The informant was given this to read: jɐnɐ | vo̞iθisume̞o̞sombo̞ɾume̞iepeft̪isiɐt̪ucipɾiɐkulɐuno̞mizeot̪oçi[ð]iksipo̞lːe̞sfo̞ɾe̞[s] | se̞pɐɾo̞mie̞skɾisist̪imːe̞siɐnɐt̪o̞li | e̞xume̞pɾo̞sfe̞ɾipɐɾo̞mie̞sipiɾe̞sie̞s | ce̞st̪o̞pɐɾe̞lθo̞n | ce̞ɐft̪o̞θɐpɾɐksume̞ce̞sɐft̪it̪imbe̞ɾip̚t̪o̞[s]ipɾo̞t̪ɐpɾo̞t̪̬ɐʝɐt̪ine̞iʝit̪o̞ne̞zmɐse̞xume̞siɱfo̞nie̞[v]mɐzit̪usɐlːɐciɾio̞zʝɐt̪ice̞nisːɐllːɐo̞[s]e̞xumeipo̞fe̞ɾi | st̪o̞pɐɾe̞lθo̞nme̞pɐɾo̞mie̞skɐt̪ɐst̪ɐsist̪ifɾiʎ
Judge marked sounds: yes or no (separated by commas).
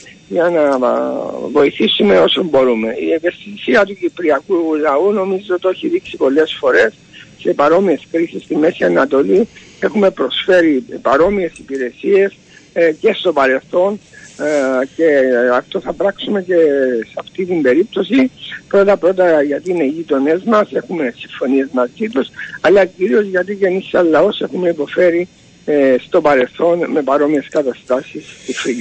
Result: yes, yes, yes, no, yes